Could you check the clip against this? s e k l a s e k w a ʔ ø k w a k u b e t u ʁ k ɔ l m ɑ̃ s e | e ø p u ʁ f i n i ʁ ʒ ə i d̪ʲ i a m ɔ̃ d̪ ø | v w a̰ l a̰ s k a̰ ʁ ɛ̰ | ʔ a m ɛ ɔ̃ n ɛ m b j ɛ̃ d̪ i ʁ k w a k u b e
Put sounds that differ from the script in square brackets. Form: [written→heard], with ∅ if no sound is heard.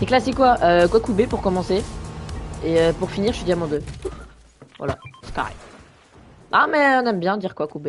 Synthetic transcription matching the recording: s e k l a s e k w a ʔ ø k w a k u b e [t→p] u ʁ k ɔ [l→∅] m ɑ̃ s e | e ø p u ʁ f i n i ʁ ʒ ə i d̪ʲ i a m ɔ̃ d̪ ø | v w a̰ l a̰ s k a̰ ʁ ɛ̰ | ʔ a m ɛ ɔ̃ n ɛ m b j ɛ̃ d̪ i ʁ k w a k u b e